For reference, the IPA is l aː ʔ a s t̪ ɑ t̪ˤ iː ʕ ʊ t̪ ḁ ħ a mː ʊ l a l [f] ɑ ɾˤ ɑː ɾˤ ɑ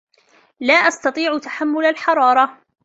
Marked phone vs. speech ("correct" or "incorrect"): incorrect